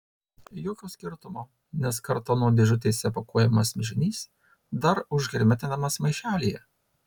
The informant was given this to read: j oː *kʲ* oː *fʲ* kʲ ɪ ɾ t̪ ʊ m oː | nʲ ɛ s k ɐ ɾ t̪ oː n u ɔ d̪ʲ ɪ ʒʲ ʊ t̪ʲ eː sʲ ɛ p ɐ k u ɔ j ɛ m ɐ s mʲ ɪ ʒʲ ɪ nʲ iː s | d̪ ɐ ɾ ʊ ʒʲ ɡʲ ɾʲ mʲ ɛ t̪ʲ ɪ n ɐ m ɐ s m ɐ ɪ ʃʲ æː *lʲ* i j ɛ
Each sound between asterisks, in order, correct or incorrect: correct, incorrect, correct

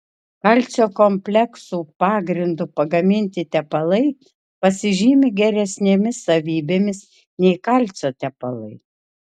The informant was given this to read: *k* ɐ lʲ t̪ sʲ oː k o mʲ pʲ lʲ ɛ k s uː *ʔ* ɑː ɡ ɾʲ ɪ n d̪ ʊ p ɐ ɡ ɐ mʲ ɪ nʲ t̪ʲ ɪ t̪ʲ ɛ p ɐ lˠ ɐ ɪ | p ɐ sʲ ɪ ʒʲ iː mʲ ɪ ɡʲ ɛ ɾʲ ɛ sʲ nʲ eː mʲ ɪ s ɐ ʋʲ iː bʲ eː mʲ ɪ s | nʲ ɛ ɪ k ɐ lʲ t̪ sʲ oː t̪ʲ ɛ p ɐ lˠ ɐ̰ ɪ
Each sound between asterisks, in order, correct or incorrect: correct, incorrect

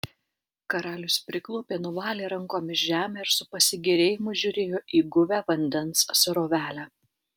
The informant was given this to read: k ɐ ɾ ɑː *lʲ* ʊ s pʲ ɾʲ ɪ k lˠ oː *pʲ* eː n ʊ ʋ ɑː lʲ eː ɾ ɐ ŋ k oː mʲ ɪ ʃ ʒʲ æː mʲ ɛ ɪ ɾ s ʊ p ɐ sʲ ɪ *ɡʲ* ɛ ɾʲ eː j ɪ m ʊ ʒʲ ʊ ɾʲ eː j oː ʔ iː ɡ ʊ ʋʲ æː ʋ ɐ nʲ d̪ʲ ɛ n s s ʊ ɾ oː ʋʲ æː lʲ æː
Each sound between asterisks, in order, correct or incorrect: correct, correct, correct

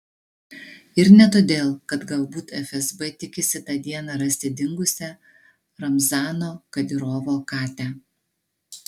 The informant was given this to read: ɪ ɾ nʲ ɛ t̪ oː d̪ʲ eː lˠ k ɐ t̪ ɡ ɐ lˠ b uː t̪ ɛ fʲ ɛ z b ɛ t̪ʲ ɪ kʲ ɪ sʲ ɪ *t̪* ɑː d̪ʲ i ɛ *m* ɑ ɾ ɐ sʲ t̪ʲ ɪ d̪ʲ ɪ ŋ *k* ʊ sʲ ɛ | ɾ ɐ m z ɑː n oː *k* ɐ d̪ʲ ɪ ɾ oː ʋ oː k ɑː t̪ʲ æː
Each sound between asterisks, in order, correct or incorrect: correct, incorrect, incorrect, correct

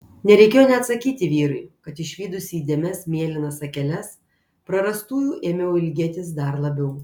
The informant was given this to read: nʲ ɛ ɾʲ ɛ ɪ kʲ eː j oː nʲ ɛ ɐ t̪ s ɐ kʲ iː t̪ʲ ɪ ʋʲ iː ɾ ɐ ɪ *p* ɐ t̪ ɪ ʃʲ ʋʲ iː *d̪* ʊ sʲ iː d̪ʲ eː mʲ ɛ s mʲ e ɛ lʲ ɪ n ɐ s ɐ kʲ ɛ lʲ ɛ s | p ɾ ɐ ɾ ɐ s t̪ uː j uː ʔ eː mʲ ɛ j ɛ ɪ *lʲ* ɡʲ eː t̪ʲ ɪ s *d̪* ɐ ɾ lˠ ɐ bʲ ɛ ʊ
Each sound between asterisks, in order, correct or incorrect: incorrect, correct, correct, correct

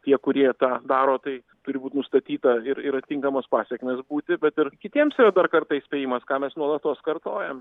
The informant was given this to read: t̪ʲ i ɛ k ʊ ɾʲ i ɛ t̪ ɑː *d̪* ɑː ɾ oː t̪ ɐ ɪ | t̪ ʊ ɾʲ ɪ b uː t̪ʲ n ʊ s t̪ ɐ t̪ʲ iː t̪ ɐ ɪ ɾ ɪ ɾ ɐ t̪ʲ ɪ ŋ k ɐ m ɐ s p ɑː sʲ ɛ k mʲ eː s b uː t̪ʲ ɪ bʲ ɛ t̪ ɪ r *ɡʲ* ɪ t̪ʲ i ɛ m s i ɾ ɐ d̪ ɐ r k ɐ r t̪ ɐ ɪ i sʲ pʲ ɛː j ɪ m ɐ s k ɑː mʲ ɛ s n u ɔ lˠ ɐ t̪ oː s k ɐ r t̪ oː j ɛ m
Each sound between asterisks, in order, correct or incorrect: correct, incorrect

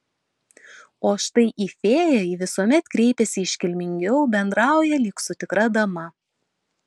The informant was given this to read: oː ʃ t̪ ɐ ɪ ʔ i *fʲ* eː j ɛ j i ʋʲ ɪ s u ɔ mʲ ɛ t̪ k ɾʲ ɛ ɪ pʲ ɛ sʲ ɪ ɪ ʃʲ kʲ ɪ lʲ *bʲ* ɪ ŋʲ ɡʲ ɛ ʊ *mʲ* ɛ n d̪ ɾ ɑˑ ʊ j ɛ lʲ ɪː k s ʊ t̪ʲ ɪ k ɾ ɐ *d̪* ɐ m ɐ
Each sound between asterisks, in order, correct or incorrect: correct, incorrect, incorrect, correct

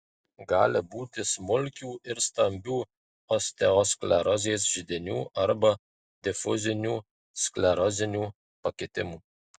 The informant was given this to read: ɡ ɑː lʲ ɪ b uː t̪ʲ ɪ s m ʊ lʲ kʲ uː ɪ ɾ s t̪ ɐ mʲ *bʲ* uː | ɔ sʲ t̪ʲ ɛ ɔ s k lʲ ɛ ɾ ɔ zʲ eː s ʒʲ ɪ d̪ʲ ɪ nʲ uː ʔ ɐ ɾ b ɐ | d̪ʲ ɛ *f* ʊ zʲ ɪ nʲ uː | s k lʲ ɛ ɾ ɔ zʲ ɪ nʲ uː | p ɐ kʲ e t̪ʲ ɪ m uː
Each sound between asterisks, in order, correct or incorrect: correct, correct

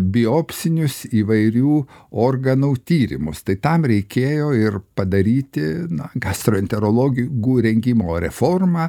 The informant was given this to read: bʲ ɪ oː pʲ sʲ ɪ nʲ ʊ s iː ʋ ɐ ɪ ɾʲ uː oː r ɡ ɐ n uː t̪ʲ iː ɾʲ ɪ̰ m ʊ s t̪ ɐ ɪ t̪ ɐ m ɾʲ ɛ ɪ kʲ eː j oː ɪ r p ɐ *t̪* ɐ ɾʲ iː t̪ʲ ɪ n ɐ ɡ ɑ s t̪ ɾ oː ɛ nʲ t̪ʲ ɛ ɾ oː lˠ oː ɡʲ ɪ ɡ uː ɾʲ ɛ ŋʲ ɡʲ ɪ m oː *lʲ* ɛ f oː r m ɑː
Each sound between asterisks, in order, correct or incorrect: incorrect, incorrect

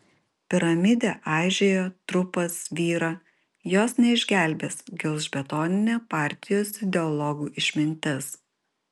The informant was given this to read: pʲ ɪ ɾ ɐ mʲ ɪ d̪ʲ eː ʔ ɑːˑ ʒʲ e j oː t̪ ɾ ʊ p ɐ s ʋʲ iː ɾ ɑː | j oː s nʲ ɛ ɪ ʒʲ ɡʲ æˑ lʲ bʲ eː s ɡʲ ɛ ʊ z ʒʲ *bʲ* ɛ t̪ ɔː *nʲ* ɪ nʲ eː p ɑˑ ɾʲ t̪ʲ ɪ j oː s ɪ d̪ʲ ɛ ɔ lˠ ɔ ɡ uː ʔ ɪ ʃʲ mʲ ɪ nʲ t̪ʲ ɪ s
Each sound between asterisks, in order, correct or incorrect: correct, correct

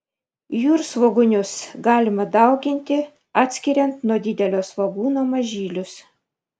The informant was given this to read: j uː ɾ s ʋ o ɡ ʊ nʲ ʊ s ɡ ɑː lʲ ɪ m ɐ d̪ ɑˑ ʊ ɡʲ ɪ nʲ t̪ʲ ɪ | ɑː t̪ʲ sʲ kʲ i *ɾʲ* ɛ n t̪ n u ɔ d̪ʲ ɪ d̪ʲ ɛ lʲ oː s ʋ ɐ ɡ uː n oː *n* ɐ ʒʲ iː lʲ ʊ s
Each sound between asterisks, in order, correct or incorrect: correct, incorrect

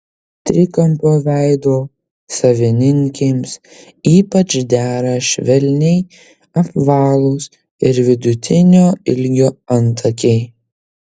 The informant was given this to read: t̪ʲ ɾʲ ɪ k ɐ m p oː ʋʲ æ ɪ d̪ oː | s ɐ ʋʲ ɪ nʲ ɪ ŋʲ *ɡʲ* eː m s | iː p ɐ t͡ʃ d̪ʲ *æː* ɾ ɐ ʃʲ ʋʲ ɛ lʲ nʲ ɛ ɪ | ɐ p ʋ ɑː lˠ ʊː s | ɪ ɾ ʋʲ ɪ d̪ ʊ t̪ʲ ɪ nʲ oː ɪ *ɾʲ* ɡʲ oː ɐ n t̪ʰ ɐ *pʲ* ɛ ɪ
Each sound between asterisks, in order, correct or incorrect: incorrect, correct, incorrect, incorrect

